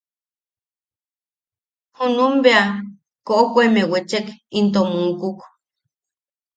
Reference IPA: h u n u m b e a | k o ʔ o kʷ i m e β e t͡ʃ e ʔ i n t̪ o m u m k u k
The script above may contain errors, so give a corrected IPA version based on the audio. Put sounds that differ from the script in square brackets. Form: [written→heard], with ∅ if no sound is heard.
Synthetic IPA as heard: h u n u m b e a | k o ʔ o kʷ [i→e] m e [β→w] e t͡ʃ e [ʔ→k] i n t̪ o m u [m→ŋ] k u k

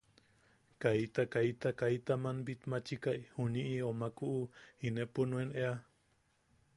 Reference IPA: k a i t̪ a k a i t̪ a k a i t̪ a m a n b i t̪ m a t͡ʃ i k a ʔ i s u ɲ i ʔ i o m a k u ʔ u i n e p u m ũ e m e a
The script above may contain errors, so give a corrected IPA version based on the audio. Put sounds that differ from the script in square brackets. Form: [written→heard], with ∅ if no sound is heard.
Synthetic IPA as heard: k a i t̪ a k a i t̪ a k a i t̪ a m a n b i t̪ m a t͡ʃ i k a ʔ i [s→h] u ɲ i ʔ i o m a k u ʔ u i n e p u [m→n] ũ e [m→n] e a

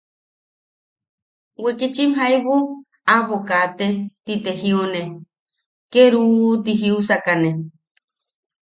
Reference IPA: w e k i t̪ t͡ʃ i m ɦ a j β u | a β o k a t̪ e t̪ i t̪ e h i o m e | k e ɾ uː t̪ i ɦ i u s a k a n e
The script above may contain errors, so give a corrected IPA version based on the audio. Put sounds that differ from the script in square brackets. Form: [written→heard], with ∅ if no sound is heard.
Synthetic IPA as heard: w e k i [t̪→∅] t͡ʃ i m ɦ a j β u | a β o k a t̪ e t̪ i t̪ e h i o [m→n] e | k e ɾ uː t̪ i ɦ i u s a k a n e

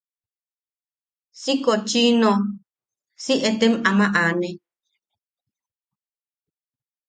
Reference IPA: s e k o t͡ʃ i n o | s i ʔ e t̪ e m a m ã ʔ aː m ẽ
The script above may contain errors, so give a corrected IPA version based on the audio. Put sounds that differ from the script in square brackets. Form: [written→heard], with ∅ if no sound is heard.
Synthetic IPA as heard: s [e→i] k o t͡ʃ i n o | s i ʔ e t̪ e m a m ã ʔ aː [m→n] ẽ

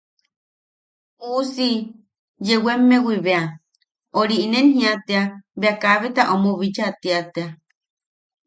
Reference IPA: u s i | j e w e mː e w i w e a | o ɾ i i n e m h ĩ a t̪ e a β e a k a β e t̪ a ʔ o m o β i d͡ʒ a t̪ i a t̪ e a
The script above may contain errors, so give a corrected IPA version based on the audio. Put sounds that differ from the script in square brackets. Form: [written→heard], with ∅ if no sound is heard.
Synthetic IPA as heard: u s i | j e w e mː e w i [w→β] e a | o ɾ i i n e [m→n] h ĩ a t̪ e a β e a k a β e t̪ a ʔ o m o β i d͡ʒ a t̪ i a t̪ e a

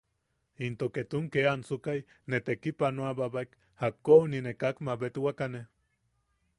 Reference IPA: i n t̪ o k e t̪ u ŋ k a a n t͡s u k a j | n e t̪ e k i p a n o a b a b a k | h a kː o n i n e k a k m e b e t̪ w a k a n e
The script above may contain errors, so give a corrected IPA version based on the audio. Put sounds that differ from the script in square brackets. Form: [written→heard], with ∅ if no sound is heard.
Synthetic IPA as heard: i n t̪ o k e t̪ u ŋ k [a→e] a n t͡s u k a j | n e t̪ e k i p a n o a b a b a k | h a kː o n i n e k a k m [e→a] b e t̪ w a k a n e

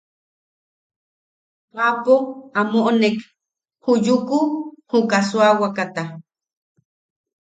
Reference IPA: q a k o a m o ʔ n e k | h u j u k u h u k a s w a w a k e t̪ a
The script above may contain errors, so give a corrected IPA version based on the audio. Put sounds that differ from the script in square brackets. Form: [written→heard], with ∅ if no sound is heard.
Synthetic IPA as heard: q a [k→p] o a m o ʔ n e k | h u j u k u h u k a s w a w a k [e→a] t̪ a

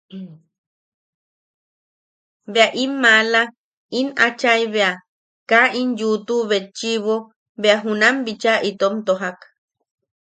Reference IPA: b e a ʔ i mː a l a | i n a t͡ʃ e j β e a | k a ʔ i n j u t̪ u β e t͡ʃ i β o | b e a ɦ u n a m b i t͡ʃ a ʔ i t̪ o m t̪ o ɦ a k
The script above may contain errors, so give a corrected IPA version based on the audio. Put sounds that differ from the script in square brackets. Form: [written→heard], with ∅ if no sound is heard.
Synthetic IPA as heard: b e a ʔ i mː a l a | i n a t͡ʃ [e→a] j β e a | k a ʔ i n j u t̪ u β e t͡ʃ i β o | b e a ɦ u n a m b i t͡ʃ a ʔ i t̪ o m t̪ o ɦ a k

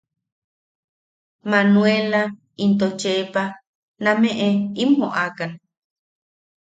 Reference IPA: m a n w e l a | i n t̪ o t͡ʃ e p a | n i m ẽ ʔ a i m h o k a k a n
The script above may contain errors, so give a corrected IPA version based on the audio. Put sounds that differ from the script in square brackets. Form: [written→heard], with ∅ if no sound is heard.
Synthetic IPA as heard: m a n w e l a | i n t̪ o t͡ʃ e p a | n [i→a] m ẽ ʔ [a→e] i m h o [k→ʔ] a k a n

